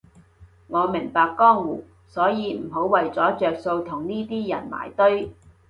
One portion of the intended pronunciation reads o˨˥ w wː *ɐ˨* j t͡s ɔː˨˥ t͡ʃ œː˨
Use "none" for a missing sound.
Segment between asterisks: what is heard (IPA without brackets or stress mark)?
ɐ˨